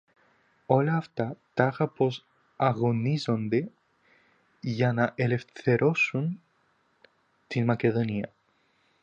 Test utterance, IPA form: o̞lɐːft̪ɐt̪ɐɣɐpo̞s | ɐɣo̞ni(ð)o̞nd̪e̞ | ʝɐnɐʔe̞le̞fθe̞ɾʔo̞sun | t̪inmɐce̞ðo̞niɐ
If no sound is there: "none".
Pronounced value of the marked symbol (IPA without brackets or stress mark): z